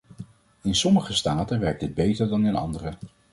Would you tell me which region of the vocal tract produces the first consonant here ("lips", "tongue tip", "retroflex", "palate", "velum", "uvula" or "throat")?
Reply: tongue tip